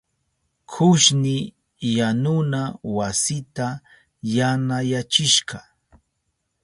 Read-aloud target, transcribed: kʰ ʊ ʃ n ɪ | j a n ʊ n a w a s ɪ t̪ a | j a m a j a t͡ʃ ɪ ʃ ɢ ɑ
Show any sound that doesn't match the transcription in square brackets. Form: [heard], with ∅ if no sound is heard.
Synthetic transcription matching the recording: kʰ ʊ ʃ n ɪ | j a n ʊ n a w a s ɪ t̪ a | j a [n] a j a t͡ʃ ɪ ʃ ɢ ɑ